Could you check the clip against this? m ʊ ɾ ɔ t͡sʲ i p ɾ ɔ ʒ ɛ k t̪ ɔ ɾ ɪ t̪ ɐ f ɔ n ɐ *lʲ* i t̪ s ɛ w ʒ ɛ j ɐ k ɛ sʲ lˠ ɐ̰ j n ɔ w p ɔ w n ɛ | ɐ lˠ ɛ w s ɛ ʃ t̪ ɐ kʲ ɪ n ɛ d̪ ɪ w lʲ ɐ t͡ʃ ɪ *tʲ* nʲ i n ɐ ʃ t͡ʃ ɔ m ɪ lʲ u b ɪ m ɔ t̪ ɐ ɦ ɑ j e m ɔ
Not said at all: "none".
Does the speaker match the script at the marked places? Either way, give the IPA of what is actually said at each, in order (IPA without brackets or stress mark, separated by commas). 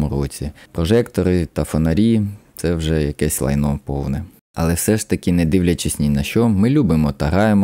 ɾʲ, sʲ